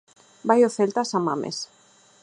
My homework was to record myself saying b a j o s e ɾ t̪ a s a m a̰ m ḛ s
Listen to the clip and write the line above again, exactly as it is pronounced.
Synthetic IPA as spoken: b a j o θ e l t̪ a s a m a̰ m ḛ s